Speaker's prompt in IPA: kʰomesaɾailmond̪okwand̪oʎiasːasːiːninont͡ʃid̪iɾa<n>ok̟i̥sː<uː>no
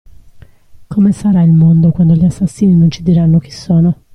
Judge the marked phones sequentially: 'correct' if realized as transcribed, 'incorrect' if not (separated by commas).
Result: incorrect, incorrect